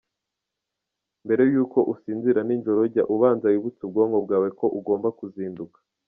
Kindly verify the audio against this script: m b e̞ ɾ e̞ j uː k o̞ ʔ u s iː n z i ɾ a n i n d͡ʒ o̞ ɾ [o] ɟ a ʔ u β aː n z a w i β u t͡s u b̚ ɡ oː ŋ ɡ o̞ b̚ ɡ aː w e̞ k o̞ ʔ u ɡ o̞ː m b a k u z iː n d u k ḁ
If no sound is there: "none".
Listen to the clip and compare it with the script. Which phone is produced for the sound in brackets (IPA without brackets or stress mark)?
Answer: o